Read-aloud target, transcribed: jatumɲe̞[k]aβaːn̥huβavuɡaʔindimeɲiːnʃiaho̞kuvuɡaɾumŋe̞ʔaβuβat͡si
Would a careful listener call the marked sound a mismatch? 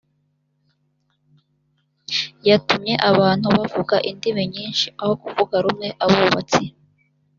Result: yes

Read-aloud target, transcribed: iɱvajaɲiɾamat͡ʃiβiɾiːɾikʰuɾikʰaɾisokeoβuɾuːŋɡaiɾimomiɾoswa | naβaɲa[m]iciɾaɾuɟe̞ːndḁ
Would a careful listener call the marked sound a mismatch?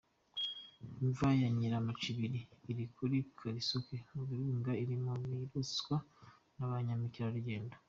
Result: no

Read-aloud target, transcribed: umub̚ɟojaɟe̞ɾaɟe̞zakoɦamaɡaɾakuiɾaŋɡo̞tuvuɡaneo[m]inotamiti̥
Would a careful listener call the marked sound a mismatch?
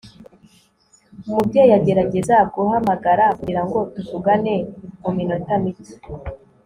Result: no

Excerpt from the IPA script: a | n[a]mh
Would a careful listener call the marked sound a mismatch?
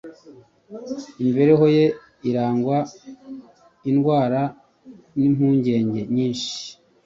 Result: yes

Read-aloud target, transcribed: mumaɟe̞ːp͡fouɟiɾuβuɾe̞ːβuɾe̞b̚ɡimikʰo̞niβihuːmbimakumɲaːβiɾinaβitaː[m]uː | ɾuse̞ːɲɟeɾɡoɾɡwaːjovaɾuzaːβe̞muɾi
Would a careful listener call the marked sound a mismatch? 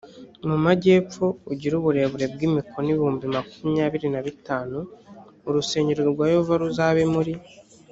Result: yes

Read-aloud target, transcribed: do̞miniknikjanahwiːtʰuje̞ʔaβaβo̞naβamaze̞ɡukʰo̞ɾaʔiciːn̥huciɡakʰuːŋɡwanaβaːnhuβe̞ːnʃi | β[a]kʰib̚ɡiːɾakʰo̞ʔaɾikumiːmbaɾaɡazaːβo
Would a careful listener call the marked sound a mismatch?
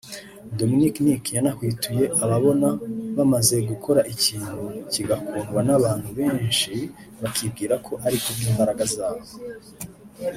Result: no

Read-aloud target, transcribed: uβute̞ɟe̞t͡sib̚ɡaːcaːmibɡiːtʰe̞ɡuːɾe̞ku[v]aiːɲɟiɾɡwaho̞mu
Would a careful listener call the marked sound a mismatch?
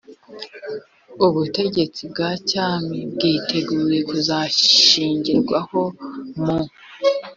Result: yes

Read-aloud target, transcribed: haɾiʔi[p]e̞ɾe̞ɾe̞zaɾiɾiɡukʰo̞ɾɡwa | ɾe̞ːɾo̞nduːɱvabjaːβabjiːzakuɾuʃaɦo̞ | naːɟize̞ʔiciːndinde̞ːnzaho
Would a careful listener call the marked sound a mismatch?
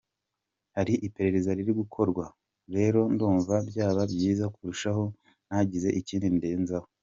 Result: no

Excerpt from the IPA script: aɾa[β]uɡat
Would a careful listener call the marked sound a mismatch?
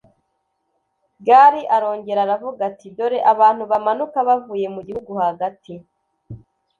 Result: yes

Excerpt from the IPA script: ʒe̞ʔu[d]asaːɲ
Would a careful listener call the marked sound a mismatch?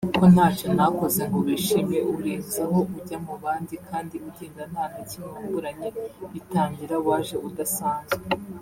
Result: no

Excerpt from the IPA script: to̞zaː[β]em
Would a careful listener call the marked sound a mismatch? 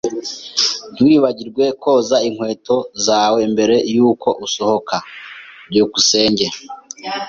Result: yes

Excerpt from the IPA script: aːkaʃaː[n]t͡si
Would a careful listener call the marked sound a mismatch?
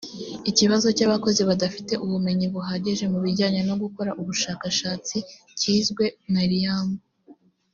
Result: yes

